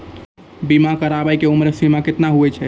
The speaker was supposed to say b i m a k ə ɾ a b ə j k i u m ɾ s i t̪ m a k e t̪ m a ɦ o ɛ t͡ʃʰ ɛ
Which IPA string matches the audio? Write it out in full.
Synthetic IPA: b i m a k ə ɾ a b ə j k e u m ɾ s i m a k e t̪ n a ɦ u ɛ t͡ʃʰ ɛ